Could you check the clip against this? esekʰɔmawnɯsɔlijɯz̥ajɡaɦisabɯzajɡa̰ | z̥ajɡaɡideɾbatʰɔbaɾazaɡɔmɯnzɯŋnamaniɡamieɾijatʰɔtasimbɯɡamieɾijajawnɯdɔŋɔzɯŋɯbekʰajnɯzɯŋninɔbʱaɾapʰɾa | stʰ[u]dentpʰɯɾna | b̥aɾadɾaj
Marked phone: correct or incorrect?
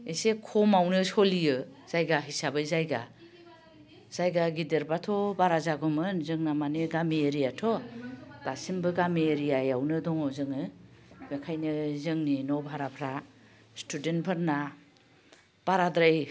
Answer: correct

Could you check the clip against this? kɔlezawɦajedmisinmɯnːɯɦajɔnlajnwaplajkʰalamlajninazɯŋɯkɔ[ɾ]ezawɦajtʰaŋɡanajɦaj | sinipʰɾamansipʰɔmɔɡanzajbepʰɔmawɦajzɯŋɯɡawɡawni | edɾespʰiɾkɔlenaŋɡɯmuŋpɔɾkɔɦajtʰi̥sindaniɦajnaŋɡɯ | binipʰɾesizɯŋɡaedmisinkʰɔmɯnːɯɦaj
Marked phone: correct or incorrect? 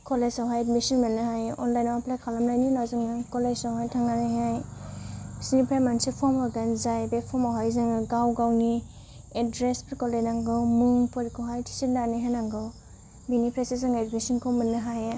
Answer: incorrect: l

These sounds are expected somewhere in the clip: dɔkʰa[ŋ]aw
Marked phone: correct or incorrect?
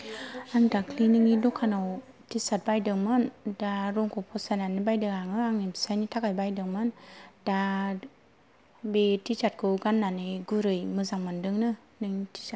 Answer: incorrect: n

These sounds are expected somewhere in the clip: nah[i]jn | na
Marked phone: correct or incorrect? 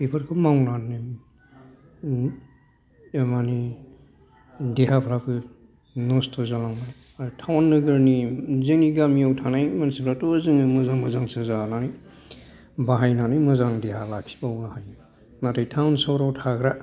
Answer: incorrect: a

